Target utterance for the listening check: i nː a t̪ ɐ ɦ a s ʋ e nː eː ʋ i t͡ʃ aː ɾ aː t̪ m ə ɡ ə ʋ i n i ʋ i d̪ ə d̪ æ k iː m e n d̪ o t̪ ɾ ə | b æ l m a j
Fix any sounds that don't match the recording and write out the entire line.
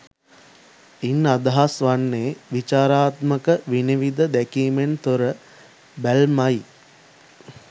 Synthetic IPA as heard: i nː a d̪ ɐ ɦ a s ʋ a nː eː ʋ i t͡ʃ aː ɾ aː t̪ m ə k ə ʋ i n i ʋ i d̪ ə d̪ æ k iː m e n t̪ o ɾ ə | b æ l m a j